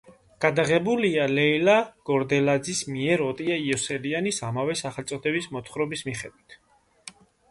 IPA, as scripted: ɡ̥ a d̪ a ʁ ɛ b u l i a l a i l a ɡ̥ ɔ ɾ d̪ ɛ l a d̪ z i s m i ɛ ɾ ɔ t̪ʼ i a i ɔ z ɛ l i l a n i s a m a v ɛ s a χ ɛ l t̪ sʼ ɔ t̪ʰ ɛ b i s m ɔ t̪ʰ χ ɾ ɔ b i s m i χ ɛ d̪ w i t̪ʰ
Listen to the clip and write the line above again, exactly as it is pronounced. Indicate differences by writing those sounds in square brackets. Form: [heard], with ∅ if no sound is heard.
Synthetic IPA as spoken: ɡ̥ a d̪ a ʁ ɛ b u l i a l [ɛ] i l a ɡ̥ ɔ ɾ d̪ ɛ l a d̪ z i s m i ɛ ɾ ɔ t̪ʼ i a i ɔ [s] ɛ l i [∅] a n i s a m a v ɛ s a χ ɛ l t̪ sʼ ɔ t̪ʰ ɛ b i s m ɔ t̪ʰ χ ɾ ɔ b i s m i χ ɛ d̪ w i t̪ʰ